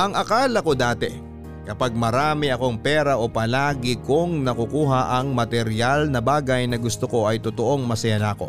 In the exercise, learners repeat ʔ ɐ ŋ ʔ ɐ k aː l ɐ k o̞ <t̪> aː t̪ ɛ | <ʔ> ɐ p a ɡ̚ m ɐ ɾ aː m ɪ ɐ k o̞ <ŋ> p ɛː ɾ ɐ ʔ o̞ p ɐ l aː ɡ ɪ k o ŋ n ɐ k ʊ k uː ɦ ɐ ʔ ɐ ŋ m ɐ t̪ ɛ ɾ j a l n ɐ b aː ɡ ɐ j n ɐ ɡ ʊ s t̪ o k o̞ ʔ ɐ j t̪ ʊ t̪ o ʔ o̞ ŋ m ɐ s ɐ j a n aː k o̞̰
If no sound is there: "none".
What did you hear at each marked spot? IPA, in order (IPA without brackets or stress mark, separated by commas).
d̪, k, ŋ